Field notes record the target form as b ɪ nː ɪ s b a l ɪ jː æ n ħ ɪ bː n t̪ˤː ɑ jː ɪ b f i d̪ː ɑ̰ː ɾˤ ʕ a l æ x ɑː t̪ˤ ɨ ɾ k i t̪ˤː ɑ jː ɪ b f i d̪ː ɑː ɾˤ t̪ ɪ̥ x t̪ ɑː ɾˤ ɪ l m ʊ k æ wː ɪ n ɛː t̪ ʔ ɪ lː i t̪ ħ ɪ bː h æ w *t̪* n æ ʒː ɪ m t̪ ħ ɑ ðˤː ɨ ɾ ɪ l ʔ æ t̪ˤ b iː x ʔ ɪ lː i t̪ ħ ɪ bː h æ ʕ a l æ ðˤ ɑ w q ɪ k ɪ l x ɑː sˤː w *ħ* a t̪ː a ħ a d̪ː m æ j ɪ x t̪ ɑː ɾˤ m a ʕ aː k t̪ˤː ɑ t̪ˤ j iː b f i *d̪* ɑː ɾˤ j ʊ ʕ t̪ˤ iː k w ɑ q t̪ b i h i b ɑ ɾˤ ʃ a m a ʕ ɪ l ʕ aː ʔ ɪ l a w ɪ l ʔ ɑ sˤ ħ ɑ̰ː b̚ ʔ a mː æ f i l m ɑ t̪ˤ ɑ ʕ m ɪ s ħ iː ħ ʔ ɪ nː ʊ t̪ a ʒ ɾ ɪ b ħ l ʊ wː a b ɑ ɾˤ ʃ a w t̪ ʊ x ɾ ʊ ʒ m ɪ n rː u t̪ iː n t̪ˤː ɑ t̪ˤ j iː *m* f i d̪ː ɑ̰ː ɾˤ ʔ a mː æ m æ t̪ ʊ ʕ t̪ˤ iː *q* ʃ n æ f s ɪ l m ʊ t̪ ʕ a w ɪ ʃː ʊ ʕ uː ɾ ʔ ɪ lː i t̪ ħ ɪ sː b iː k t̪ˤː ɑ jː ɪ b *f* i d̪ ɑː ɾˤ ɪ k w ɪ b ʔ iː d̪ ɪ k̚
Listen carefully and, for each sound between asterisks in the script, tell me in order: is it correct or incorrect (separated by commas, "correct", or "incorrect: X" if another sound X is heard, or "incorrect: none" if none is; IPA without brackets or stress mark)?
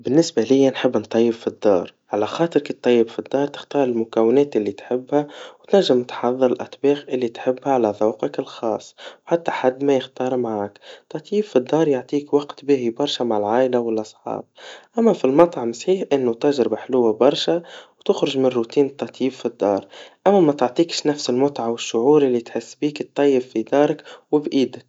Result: correct, correct, incorrect: d̪ː, incorrect: b, incorrect: k, correct